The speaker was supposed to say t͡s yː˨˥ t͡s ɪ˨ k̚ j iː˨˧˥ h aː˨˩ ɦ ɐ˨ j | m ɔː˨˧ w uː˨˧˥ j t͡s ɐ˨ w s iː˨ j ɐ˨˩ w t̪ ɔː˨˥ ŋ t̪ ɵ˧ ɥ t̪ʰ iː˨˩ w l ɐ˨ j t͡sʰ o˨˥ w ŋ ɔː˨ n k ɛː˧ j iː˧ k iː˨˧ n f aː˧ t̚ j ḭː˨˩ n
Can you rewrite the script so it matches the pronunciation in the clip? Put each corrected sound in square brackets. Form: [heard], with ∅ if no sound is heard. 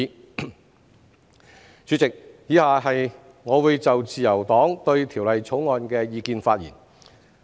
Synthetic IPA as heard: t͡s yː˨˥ t͡s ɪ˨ k̚ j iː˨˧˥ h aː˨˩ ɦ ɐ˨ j | [ŋ] ɔː˨˧ w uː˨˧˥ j t͡s ɐ˨ w [t͡s] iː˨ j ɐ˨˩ w t̪ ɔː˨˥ ŋ t̪ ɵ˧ ɥ t̪ʰ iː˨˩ w l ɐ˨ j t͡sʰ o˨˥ w ŋ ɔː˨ n k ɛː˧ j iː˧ k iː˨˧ n f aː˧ t̚ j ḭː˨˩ n